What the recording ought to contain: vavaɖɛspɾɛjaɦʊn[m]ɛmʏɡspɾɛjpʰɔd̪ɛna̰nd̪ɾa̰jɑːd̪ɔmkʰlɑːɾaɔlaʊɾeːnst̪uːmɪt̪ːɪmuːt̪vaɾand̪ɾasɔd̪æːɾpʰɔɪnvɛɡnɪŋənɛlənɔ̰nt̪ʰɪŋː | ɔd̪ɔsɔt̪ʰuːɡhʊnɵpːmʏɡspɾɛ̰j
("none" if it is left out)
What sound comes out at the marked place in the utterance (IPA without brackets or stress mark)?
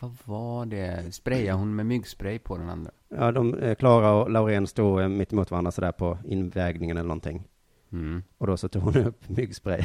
m